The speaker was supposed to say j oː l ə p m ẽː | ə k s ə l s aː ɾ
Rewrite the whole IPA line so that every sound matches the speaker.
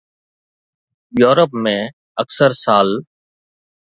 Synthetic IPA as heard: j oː ɾ ə p m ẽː | ə k s ə ɾ s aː l